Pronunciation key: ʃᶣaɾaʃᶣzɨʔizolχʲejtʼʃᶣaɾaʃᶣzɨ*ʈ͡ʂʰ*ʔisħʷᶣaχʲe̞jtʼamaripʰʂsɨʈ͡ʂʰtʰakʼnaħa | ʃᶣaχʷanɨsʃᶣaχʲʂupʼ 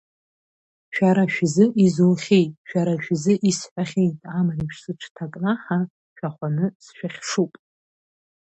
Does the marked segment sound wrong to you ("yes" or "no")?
yes